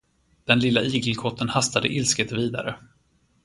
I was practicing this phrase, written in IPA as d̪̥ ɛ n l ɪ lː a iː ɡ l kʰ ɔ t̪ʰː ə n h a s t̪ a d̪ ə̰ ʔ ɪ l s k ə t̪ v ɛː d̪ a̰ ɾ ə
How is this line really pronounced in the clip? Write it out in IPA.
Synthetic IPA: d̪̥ ɛ n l ɪ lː a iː ɡ l kʰ ɔ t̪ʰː ə n h a s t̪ a d̪ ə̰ ʔ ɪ l s k ə t̪ v iː d̪ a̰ ɾ ə